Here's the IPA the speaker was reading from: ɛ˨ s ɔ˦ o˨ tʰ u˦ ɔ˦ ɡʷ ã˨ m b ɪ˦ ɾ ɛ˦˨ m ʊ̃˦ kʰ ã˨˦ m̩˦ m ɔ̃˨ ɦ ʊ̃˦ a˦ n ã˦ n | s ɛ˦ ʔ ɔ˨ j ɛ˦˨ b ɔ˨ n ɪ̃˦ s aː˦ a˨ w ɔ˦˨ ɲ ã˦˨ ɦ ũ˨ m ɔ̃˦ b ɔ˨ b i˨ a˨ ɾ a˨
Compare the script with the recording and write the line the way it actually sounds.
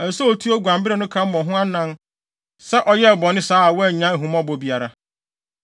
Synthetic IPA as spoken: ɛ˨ s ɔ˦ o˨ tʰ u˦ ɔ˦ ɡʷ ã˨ m b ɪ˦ ɾ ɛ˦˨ n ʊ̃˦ kʰ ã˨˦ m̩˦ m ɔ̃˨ ɦ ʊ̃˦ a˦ n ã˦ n | s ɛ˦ ʔ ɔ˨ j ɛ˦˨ b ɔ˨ n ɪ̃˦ s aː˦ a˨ w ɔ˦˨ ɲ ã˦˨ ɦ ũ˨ m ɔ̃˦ b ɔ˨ b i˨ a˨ ɾ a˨